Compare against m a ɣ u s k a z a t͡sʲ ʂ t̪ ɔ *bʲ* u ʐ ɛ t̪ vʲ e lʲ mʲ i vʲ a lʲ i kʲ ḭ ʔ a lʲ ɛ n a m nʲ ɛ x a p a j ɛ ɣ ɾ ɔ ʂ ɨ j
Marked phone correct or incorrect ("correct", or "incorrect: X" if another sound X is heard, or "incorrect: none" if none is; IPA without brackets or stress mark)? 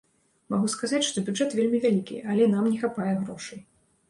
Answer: correct